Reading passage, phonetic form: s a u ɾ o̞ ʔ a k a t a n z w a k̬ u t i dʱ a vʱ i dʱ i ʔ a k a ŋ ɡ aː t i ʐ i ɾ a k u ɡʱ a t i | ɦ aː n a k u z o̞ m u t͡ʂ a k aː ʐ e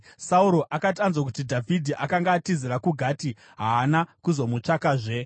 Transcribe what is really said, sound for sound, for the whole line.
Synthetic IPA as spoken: s a u ɾ o̞ ʔ a k a t a n z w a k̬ u t i dʱ a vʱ i dʱ i ʔ a k a ŋ ɡ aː t i z i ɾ a k u ɡʱ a t i | ɦ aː n a k u z o̞ m u t͡ʂ a k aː ʐ e

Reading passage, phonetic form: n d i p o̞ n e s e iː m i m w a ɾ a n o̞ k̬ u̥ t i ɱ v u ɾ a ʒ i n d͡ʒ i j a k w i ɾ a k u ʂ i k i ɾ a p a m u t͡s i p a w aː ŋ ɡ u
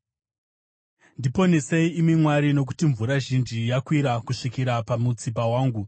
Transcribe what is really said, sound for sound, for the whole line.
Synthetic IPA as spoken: n d i p o̞ n e s e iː m i m w a ɾ i n o̞ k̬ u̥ t i ɱ v u ɾ a ʒ i n d͡ʒ i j a k w i ɾ a k u ʂ i k i ɾ a p a m u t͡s i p a w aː ŋ ɡ u

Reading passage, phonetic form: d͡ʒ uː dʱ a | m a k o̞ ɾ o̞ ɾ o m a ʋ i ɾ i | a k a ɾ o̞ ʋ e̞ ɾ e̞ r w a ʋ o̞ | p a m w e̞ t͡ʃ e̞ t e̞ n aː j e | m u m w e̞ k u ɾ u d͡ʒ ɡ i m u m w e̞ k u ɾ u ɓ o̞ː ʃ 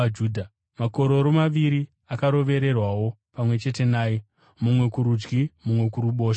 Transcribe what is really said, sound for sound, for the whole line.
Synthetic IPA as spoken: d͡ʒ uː dʱ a | m a k o̞ ɾ o̞ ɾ o m a ʋ i ɾ i | a k a ɾ o̞ ʋ e̞ ɾ e̞ r w a w o̞ | p a m w e̞ t͡ʃ e̞ t e̞ n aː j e | m u m w e̞ k u ɾ u d͡ʒ ɡ i m u m w e̞ k u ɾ u ɓ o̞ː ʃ

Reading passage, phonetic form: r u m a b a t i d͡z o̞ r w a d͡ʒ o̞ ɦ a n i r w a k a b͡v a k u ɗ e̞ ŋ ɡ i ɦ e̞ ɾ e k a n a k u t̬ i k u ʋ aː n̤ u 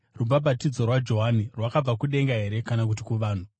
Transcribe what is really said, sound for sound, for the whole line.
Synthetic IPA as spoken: r u b a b a t i d͡z o̞ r w a d͡ʒ o̞ ɦ a n i r w a k a b͡v a k u ɗ e̞ ŋ ɡ a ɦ e̞ ɾ e k a n a k u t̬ i k u ʋ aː n̤ u

